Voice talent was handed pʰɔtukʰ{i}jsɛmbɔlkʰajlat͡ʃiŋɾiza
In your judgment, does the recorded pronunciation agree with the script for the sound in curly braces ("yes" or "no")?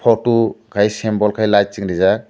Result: no